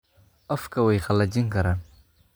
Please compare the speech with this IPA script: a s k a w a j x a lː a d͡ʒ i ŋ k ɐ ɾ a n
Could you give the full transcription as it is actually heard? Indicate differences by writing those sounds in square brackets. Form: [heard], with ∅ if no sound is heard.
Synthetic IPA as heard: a [f] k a w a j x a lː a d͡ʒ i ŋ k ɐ ɾ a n

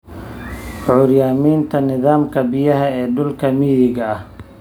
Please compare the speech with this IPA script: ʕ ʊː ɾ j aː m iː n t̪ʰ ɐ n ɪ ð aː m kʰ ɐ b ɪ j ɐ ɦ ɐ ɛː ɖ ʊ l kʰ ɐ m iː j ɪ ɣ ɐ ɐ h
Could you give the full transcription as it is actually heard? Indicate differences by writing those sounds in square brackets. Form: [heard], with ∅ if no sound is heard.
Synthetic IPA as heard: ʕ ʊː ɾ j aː m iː n t̪ʰ ɐ n ɪ ð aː m kʰ ɐ b ɪ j ɐ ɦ ɐ ɛː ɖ ʊ l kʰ ɐ m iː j ɪ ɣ ɐ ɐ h

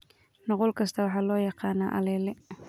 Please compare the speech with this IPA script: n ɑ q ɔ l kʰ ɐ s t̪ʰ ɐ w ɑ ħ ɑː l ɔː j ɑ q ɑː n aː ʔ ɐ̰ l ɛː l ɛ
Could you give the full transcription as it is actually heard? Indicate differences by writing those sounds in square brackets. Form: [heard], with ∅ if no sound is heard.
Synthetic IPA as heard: n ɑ q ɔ l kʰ ɐ s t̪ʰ ɐ w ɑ ħ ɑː l ɔː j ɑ q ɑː n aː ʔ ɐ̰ l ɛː l ɛ

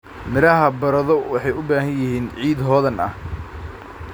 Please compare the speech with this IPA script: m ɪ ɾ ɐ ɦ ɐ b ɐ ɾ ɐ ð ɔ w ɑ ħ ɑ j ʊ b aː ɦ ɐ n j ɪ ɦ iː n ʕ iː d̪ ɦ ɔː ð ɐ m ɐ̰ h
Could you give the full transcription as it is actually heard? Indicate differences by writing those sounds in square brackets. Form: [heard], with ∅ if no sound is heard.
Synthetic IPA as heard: m ɪ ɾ ɐ ɦ ɐ b ɐ ɾ ɐ ð ɔ w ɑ ħ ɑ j ʊ b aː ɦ ɐ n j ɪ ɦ iː n ʕ iː d̪ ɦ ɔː ð ɐ [n] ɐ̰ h

